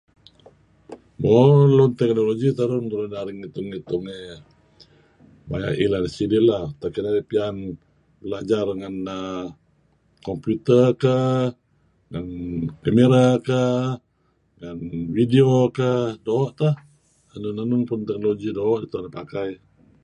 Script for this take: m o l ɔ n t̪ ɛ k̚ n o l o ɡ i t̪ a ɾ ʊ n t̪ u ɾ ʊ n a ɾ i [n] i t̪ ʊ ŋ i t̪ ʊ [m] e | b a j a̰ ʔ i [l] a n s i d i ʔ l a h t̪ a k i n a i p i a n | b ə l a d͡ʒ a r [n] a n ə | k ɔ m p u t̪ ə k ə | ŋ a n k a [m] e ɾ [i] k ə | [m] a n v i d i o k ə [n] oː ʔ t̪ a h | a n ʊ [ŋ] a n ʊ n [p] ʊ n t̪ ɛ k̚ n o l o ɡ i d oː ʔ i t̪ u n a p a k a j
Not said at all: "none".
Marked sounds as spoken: ŋ, ŋ, l, ŋ, m, a, ŋ, d, n, p

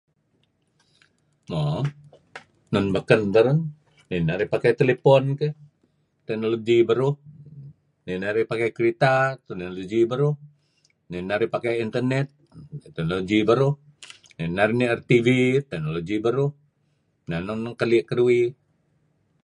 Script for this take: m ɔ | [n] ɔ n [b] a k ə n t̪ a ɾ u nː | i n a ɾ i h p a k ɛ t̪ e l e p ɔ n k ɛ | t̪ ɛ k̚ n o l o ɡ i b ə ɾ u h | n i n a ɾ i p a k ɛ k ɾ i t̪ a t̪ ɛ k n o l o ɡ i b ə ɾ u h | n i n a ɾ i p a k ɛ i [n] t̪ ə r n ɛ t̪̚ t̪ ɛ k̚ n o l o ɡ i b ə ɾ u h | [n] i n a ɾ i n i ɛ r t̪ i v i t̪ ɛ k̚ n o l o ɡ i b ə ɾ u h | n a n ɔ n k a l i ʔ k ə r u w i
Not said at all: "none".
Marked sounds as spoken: n, b, n, n

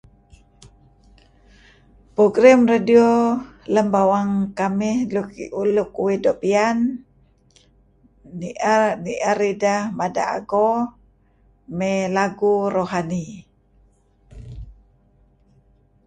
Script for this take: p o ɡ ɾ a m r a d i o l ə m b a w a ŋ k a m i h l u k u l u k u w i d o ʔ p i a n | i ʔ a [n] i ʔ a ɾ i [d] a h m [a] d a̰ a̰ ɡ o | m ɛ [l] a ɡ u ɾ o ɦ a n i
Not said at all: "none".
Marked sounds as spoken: n, d, a, l

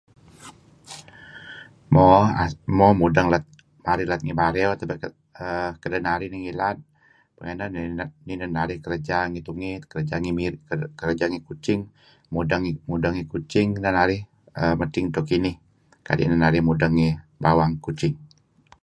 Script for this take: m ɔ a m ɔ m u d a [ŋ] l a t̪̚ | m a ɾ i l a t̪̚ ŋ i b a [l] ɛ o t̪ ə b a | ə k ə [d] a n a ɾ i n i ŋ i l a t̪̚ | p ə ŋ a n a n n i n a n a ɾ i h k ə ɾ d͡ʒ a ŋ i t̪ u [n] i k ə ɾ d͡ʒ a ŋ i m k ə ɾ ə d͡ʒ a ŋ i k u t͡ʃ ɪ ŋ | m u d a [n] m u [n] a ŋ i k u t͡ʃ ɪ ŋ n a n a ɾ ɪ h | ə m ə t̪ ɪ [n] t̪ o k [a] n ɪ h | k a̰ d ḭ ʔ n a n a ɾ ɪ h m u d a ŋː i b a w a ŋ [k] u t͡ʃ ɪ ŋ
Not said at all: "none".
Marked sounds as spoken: ŋ, ɾ, d, ŋ, ŋ, d, ŋ, i, k

